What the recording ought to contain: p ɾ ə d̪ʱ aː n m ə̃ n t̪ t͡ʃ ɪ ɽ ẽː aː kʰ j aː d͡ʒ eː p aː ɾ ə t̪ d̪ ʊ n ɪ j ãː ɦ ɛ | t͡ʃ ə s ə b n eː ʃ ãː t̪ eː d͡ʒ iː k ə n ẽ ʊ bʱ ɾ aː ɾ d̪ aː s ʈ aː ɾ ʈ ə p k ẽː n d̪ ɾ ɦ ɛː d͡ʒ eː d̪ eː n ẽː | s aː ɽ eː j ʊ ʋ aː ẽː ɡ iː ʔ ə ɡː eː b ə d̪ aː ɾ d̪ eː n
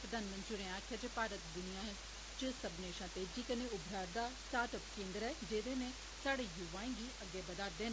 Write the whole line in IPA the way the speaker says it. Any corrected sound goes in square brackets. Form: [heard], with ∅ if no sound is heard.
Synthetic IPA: p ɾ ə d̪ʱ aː n m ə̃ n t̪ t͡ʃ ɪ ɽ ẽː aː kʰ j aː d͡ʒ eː p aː ɾ ə t̪ d̪ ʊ n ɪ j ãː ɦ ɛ | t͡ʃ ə s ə b n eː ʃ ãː t̪ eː d͡ʒ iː k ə n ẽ ʊ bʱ ɾ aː ɾ d̪ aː s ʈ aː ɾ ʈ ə p k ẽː n d̪ ɾ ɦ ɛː d͡ʒ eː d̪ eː n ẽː | s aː ɽ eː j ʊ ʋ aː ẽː ɡ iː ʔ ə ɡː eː b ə d̪ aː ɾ d̪ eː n